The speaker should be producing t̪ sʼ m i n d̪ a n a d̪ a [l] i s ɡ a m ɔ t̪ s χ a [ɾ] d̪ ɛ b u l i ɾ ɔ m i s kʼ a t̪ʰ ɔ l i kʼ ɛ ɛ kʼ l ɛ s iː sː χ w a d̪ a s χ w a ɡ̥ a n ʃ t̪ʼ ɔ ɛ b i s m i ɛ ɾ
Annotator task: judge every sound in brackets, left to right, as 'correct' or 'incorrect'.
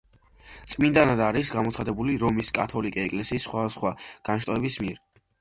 incorrect: ɾ, incorrect: none

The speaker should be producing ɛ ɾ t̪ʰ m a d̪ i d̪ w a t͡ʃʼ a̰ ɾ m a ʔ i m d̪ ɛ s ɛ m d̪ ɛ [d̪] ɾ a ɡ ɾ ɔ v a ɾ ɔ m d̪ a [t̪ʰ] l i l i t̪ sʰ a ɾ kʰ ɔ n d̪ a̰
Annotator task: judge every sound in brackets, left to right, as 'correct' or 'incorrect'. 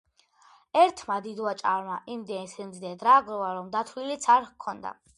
correct, correct

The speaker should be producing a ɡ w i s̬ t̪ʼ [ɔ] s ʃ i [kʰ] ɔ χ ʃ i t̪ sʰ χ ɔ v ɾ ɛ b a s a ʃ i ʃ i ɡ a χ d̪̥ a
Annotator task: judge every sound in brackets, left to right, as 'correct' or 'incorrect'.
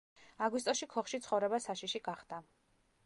correct, correct

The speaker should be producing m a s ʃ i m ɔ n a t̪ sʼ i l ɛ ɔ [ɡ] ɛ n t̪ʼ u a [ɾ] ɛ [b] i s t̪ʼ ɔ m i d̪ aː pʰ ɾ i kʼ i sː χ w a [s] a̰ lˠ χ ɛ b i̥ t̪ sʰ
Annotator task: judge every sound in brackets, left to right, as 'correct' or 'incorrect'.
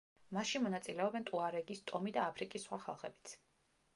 incorrect: b, correct, incorrect: ɡ, incorrect: χ

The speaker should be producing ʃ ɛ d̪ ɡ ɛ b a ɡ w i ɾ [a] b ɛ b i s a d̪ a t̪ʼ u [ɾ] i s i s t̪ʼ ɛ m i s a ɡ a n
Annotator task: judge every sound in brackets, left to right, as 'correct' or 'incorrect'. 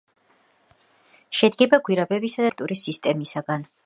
correct, correct

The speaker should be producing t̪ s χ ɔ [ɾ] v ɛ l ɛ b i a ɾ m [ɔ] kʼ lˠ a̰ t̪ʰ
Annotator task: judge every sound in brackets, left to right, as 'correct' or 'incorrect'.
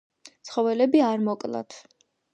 incorrect: none, correct

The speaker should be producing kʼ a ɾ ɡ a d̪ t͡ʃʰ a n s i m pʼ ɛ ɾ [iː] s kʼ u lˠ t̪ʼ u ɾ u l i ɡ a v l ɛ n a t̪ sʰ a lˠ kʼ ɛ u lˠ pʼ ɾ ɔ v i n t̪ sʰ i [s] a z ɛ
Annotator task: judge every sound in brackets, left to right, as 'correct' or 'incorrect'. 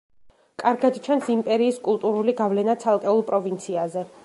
correct, incorrect: none

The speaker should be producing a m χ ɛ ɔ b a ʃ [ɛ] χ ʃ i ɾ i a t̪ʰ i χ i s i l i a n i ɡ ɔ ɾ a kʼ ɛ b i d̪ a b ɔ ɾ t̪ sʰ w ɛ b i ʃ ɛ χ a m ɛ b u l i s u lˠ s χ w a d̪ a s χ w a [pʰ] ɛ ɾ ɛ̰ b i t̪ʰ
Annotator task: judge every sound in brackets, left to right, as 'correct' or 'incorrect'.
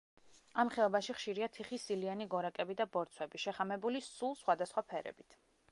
incorrect: i, correct

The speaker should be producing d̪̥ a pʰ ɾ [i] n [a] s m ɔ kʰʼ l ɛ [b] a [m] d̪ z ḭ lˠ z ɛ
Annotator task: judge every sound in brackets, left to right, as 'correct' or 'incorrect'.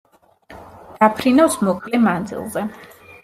correct, correct, incorrect: m, incorrect: n

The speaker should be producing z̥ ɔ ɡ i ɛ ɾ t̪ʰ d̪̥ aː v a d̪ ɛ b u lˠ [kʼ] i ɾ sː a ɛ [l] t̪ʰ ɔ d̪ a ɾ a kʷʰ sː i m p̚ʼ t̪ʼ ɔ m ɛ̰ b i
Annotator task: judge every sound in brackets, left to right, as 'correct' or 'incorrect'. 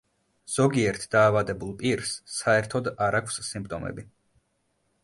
incorrect: pʼ, incorrect: ɾ

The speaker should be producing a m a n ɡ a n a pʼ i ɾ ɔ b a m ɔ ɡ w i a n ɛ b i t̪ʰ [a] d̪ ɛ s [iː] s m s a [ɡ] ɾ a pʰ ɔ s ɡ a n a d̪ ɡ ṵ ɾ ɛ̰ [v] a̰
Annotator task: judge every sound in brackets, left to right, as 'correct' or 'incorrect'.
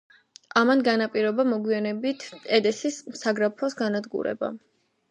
incorrect: ɛ, incorrect: i, correct, incorrect: b

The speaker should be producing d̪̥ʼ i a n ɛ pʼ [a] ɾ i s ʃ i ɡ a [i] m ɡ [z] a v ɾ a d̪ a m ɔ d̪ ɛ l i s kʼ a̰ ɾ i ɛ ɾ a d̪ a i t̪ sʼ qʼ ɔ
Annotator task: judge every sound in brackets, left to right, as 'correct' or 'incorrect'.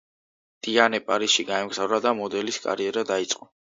correct, incorrect: ɛ, correct

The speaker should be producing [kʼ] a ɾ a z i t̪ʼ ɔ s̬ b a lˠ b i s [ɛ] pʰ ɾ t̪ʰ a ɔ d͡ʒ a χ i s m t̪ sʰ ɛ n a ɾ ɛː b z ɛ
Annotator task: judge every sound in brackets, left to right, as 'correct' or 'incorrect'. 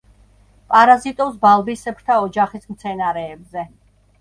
incorrect: pʼ, correct

